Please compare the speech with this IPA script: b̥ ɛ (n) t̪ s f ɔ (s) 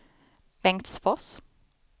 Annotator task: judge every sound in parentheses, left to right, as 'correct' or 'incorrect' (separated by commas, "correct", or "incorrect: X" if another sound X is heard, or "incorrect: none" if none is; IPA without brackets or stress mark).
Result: incorrect: ŋ, correct